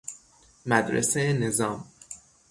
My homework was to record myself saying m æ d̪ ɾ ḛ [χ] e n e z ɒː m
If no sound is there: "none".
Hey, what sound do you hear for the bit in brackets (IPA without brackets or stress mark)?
s